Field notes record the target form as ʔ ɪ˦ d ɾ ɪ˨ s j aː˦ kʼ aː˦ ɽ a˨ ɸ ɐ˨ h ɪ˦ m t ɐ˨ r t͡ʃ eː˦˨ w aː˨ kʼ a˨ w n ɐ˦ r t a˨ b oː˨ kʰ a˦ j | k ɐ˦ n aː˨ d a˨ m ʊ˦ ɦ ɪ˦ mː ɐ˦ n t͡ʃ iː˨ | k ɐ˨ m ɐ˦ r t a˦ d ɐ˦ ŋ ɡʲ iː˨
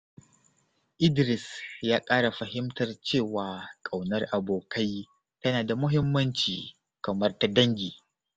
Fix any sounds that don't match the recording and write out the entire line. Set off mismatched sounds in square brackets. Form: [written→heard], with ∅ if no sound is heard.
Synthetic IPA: ʔ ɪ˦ d ɾ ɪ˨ s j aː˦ kʼ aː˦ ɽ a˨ ɸ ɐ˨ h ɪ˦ m t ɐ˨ r t͡ʃ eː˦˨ w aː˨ kʼ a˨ w n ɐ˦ r [t→ʔ] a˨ b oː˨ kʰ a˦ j | [k→t] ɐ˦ n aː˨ d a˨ m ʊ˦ ɦ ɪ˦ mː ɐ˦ n t͡ʃ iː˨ | k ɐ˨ m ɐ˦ r t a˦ d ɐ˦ ŋ ɡʲ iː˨